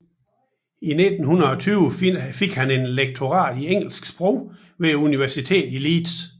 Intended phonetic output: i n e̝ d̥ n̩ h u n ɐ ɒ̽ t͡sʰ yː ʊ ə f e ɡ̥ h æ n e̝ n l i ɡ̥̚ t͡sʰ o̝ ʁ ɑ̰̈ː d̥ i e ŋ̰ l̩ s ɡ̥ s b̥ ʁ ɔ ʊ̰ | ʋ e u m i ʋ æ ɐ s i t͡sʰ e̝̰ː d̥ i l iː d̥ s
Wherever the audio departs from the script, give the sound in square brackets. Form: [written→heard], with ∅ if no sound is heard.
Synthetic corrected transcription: i n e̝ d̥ n̩ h u n ɐ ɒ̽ t͡sʰ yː ʊ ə f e ɡ̥ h æ n e̝ n l [i→e] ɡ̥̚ t͡sʰ o̝ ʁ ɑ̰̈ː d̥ i e ŋ̰ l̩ s ɡ̥ s b̥ ʁ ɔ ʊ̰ | ʋ e u [m→n] i ʋ æ ɐ s i t͡sʰ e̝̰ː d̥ i l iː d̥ s